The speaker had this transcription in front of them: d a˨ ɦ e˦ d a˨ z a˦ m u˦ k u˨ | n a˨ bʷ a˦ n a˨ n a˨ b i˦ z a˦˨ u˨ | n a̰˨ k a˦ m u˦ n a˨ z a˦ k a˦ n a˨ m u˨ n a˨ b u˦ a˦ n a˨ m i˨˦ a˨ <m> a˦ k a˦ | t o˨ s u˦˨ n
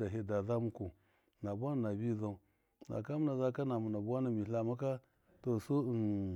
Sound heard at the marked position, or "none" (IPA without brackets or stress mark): m